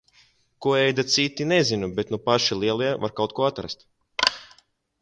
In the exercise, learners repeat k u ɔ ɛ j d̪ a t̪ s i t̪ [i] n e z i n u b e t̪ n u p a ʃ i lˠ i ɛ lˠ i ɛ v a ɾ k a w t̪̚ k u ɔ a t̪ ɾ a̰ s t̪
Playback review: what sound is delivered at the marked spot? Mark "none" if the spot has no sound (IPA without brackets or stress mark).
i